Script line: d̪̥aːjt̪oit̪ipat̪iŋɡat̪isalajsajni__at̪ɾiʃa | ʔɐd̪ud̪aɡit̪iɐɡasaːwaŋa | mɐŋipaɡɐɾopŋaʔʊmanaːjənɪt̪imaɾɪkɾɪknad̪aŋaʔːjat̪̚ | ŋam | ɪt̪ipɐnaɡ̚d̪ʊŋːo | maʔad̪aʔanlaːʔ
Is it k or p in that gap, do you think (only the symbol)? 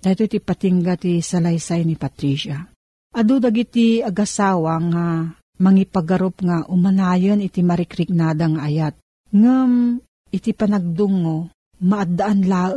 p